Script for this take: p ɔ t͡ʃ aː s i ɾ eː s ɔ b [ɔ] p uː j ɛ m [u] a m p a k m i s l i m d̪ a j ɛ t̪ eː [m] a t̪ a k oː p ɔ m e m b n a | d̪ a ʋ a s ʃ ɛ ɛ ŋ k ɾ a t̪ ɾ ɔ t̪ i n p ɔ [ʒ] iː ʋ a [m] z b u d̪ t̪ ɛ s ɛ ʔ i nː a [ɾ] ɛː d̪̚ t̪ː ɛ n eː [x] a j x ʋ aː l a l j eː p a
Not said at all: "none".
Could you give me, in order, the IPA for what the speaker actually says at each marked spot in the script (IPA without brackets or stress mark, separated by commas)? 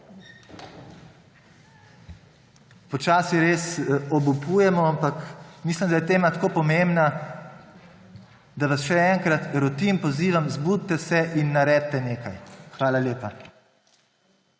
u, ɔ, m, z, m, ɾ, k